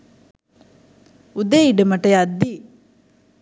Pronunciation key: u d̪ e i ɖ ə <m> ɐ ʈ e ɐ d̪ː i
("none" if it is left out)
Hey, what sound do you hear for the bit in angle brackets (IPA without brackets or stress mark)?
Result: m